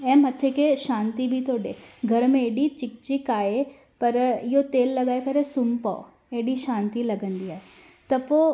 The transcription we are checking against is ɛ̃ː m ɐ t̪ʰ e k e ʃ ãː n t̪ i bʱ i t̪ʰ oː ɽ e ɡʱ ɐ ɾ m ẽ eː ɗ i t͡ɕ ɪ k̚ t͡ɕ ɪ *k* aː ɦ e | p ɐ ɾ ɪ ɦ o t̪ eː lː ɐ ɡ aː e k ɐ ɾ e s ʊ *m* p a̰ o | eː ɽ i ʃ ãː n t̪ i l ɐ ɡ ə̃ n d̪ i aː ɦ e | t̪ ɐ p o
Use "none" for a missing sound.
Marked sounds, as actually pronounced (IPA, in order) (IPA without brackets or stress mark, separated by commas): k, m